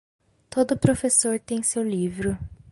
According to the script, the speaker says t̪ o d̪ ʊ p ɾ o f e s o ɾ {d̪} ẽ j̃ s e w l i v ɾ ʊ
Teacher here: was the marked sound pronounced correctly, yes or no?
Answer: no